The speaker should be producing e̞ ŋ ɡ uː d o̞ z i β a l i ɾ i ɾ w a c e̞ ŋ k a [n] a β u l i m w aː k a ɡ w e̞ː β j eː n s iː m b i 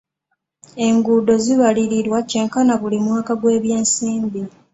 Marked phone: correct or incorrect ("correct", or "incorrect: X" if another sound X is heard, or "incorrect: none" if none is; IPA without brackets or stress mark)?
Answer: correct